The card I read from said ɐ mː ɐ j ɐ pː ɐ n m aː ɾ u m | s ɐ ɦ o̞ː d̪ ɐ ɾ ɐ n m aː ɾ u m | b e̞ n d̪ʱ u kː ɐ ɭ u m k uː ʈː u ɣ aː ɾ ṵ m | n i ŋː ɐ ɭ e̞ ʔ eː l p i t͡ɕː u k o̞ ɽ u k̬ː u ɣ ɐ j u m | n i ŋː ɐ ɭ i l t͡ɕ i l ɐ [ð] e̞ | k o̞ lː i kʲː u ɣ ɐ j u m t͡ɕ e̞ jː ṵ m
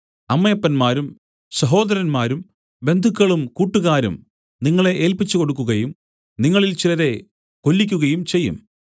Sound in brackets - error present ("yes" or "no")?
no